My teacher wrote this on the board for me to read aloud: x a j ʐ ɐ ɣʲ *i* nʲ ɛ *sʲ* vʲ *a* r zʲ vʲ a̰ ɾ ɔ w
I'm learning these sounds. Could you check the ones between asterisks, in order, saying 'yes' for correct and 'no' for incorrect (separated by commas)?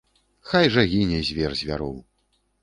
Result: yes, no, no